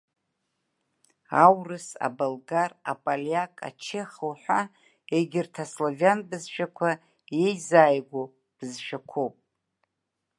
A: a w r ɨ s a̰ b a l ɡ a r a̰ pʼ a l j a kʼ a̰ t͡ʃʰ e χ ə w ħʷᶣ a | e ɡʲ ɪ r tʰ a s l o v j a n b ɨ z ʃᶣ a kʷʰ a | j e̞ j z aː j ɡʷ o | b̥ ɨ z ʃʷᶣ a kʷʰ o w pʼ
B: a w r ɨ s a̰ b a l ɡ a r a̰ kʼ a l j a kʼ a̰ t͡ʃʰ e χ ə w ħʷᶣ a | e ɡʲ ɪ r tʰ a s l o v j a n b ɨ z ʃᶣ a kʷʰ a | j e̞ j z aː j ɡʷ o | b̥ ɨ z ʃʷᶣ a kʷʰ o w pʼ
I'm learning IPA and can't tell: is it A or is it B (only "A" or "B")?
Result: A